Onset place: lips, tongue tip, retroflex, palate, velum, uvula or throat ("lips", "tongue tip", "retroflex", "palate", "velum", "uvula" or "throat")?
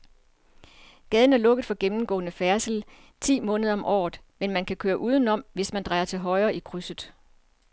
velum